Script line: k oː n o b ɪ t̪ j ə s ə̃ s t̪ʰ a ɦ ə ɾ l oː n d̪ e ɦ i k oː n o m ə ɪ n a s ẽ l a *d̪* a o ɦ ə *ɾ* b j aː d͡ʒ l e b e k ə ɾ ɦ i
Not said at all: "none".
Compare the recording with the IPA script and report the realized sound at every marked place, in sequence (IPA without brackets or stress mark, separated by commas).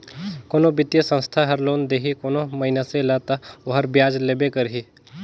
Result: t̪, ɾ